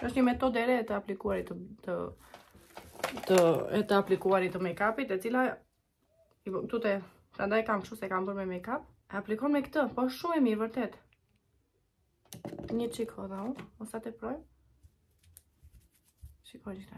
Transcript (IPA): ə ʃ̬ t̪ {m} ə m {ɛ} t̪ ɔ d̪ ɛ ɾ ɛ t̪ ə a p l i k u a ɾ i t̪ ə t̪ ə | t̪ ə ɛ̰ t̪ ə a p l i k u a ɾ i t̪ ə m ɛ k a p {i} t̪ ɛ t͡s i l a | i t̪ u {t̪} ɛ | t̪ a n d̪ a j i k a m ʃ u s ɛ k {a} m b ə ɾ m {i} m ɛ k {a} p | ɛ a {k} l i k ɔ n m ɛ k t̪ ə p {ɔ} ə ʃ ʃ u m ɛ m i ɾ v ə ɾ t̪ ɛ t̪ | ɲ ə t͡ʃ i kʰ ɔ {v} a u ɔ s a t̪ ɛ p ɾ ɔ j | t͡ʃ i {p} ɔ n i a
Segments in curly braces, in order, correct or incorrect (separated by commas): incorrect, correct, correct, correct, correct, incorrect, correct, incorrect, correct, incorrect, incorrect